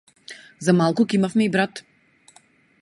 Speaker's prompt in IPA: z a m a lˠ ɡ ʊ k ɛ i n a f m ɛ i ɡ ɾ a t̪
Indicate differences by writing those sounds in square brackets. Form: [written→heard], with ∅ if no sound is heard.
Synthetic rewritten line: z a m a lˠ [ɡ→k] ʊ k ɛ i [n→m] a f m ɛ i [ɡ→b] ɾ a t̪